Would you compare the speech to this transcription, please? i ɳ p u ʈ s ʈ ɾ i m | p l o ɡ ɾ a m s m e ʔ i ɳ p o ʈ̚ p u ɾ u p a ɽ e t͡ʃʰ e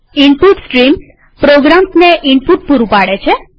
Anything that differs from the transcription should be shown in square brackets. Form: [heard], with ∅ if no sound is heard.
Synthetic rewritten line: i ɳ p u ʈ s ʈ ɾ i m | p [ɾ] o ɡ ɾ a m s [n] e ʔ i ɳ p [u] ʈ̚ p u ɾ u p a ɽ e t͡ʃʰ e